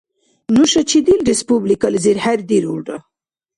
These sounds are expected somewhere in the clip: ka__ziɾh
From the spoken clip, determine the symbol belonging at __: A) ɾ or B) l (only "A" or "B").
B